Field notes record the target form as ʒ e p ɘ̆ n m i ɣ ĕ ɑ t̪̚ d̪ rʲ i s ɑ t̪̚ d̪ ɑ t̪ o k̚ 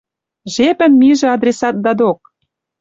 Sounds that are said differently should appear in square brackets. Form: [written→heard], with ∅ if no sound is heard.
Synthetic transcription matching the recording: ʒ e p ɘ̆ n m i [ɣ→ʒ] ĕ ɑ [t̪̚→∅] d̪ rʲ [i→e] s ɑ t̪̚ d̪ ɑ [t̪→d̪] o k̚